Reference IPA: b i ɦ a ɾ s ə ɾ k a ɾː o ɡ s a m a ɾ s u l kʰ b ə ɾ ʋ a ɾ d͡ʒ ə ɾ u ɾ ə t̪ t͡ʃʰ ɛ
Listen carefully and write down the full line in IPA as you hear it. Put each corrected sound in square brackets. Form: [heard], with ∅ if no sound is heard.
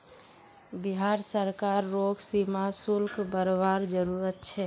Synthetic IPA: b i ɦ a ɾ s ə ɾ k a ɾː o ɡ s [i] m a [∅] s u l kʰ b ə ɾ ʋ a ɾ d͡ʒ ə ɾ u ɾ ə t̪ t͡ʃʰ ɛ